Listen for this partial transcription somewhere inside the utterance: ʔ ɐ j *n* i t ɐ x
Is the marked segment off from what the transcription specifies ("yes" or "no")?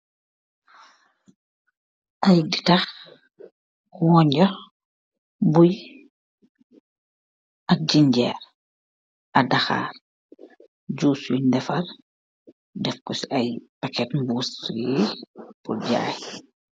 yes